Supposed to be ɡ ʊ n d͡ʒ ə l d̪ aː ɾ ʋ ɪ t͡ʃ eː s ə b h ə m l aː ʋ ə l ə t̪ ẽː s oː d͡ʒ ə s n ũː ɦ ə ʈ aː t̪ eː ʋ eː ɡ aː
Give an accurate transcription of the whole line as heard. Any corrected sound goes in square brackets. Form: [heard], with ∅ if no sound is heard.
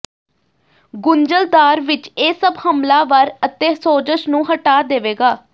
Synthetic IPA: ɡ ʊ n d͡ʒ ə l d̪ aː ɾ ʋ ɪ t͡ʃ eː s ə b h ə m l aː ʋ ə [ɾ] ə t̪ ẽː s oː d͡ʒ ə [ʃ] n ũː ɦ ə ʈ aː [d̪] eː ʋ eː ɡ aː